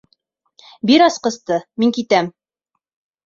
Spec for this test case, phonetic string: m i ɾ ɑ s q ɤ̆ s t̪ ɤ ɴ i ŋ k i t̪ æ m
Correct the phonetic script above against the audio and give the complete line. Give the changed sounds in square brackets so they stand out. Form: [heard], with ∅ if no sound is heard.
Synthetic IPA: [b] i ɾ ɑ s q ɤ̆ s t̪ ɤ [m] i ŋ k i t̪ æ m